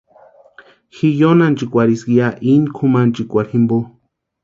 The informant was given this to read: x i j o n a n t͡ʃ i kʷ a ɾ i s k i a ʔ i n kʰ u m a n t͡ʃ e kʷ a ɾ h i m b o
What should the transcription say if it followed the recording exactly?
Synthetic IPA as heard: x i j o n a n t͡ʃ i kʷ a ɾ i s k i a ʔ i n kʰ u m a n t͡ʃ i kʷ a ɾ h i m b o